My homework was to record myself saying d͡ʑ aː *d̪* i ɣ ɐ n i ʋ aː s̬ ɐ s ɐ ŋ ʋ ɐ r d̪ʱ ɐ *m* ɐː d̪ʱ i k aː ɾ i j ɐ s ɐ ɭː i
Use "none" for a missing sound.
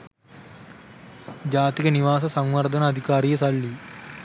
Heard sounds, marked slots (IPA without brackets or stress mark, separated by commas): t̪, n